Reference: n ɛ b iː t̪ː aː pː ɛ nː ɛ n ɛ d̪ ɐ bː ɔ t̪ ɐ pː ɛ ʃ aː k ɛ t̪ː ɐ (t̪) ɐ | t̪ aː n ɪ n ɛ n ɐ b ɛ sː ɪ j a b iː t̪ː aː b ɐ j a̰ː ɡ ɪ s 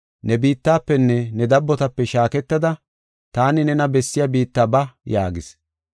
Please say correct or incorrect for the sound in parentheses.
incorrect